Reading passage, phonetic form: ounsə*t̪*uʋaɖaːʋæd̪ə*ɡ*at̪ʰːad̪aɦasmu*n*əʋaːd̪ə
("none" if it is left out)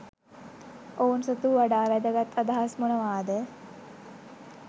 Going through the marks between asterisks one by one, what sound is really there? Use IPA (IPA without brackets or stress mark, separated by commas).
t̪, ɡ, n